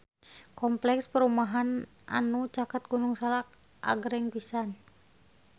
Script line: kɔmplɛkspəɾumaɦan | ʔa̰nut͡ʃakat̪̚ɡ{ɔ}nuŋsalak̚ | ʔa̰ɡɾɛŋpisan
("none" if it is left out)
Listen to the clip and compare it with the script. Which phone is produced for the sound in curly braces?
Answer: u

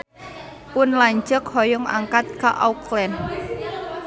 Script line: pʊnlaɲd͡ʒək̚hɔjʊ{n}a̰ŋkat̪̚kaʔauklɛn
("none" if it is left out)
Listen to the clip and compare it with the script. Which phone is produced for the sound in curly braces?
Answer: ŋ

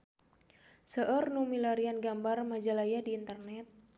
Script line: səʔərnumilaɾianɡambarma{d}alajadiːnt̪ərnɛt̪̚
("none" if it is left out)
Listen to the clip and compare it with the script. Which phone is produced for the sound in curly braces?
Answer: d͡ʒ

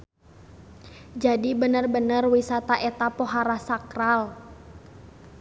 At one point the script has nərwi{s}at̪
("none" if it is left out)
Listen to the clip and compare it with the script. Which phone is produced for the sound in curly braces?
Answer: s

